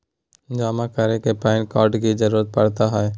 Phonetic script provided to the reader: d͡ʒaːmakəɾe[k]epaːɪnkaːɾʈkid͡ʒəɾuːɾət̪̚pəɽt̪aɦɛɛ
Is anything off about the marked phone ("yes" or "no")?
no